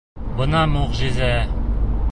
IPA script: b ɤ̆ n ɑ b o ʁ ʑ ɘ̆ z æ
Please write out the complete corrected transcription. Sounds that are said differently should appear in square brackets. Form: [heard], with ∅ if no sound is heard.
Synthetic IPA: b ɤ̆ n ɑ [m] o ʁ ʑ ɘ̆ z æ